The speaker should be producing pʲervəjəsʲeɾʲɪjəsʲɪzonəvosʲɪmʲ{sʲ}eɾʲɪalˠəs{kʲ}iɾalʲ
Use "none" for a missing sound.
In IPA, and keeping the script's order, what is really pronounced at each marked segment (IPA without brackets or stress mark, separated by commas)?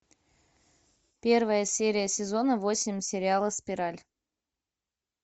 sʲ, pʲ